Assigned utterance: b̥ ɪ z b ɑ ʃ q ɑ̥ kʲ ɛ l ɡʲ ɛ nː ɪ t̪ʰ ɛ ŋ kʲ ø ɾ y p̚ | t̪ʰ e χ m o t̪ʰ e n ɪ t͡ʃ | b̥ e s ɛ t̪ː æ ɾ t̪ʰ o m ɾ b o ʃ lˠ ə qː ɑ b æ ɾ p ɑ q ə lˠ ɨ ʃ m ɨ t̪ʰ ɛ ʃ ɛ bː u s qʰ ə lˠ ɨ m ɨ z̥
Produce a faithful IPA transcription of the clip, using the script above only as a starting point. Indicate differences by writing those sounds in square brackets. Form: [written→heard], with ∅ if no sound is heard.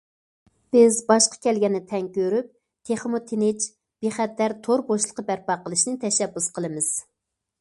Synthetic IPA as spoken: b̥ ɪ z b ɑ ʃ q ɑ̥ kʲ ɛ l ɡʲ ɛ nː ɪ t̪ʰ ɛ ŋ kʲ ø ɾ y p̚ | t̪ʰ e χ m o t̪ʰ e n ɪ t͡ʃ | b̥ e [s→χ] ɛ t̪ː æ ɾ t̪ʰ o [m→∅] ɾ b o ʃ lˠ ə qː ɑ b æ ɾ p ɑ q ə lˠ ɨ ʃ [m→n] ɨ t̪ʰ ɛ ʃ ɛ bː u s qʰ ə lˠ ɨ m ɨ z̥